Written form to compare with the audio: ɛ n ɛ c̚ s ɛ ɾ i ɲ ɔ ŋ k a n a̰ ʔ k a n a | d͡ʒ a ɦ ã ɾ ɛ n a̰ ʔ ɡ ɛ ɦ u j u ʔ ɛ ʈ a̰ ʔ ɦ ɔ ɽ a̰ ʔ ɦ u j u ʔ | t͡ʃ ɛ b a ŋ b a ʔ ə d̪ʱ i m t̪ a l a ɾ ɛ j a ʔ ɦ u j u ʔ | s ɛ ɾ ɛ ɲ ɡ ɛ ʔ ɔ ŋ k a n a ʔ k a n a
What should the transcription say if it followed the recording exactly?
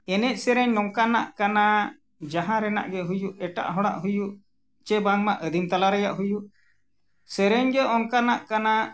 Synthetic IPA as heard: ɛ n ɛ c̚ s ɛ ɾ ɛ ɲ ɔ ŋ k a n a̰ ʔ k a n a | d͡ʒ a ɦ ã ɾ ɛ n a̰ ʔ ɡ ɛ ɦ u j u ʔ ɛ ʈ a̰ ʔ ɦ ɔ ɽ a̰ ʔ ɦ u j u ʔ | t͡ʃ ɛ b a ŋ m a ʔ ə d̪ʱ i m t̪ a l a ɾ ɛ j a ʔ ɦ u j u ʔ | s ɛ ɾ ɛ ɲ ɡ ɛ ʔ ɔ ŋ k a n a ʔ k a n a

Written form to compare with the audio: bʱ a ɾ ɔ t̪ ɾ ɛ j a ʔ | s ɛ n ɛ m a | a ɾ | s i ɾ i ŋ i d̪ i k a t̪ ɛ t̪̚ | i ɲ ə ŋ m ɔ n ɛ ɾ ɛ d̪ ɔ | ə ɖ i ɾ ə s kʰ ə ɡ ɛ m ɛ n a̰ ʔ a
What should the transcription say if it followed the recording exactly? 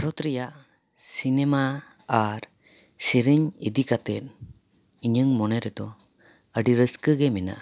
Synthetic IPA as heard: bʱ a ɾ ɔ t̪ ɾ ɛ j a ʔ | s i n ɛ m a | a ɾ | s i ɾ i ɲ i d̪ i k a t̪ ɛ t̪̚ | i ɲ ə ŋ m ɔ n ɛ ɾ ɛ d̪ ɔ | ə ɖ i ɾ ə s k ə ɡ ɛ m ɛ n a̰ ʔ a

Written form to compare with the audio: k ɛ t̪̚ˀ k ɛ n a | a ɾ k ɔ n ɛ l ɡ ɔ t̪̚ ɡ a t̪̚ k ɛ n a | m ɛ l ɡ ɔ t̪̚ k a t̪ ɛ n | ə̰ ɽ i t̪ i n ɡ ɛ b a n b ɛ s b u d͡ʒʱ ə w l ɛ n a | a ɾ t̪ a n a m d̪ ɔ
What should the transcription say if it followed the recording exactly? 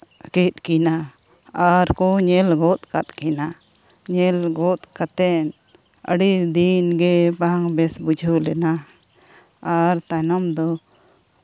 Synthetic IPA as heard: k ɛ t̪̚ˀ k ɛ n a | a ɾ k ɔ ɲ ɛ l ɡ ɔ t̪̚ k a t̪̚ k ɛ n a | ɲ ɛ l ɡ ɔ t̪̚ k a t̪ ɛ n | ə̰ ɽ i d̪ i n ɡ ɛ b a ŋ b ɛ s b u d͡ʒʱ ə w l ɛ n a | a ɾ t̪ a n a m d̪ ɔ

